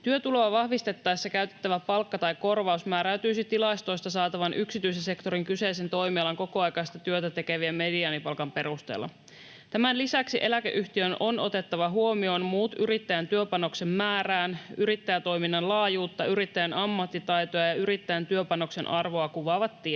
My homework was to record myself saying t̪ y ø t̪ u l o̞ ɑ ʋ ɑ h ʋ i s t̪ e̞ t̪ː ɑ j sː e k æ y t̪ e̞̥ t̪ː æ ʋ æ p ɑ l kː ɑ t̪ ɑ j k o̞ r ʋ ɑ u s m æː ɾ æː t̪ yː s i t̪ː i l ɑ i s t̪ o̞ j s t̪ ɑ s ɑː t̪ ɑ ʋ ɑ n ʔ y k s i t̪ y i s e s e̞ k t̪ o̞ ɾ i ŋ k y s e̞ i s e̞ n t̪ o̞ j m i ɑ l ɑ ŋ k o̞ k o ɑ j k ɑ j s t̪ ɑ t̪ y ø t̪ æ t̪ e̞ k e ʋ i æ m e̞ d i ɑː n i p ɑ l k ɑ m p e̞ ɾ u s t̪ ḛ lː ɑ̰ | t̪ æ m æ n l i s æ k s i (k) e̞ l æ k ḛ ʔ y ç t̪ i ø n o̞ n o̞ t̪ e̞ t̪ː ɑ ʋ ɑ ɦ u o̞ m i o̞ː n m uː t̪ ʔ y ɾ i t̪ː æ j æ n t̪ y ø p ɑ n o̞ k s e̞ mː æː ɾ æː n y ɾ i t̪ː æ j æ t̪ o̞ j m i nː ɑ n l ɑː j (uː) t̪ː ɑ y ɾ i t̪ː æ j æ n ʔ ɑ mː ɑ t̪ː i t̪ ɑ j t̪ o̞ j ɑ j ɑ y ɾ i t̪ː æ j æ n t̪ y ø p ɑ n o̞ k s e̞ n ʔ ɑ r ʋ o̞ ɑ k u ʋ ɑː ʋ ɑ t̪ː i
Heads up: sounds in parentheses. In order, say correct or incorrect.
incorrect, correct

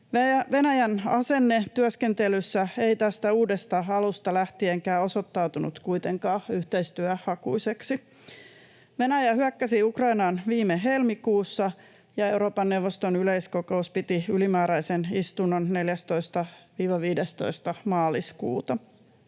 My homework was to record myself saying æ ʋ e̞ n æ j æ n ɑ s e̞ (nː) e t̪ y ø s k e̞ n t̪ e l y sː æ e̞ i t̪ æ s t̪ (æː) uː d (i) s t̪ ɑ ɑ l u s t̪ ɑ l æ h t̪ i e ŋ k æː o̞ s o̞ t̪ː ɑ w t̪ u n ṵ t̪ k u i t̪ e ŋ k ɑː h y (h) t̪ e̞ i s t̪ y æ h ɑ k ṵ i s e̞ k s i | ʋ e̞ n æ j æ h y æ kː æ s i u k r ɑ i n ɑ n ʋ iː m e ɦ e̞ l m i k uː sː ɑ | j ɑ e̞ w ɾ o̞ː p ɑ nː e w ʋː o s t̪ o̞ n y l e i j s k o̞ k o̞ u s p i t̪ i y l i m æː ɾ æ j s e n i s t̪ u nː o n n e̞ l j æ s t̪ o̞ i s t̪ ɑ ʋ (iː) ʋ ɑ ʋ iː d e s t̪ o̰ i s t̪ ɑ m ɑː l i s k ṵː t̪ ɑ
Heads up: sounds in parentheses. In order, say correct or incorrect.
correct, incorrect, incorrect, correct, correct

